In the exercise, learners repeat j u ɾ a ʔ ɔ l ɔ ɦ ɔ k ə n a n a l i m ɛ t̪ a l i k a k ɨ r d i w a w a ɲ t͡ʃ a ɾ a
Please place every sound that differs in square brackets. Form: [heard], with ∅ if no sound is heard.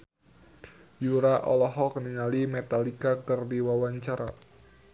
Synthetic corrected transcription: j u ɾ a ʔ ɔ l ɔ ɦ ɔ k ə n [i] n a l i m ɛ t̪ a l i k a k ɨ r d i w a w a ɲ t͡ʃ a ɾ a